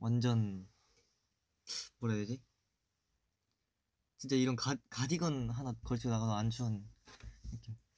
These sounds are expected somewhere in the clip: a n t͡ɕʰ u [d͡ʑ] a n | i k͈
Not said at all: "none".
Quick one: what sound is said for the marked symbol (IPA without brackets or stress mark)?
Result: none